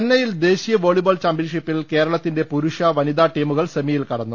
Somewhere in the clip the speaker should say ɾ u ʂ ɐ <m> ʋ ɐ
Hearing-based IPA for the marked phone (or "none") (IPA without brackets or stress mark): none